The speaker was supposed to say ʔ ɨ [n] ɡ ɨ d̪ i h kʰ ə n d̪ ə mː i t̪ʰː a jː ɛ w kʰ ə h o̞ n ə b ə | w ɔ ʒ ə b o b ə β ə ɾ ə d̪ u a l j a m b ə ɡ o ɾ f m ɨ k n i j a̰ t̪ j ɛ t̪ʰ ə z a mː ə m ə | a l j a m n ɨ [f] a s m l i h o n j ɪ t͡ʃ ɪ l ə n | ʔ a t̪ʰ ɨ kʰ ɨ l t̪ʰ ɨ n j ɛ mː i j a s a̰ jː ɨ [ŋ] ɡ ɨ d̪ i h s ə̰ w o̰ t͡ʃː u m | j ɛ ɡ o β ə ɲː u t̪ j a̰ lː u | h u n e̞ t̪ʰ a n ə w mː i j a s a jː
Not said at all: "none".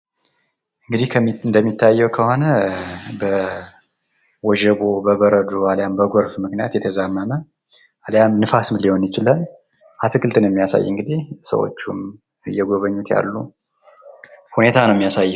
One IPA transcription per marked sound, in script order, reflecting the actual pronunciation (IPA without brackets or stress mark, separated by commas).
ŋ, f, ŋ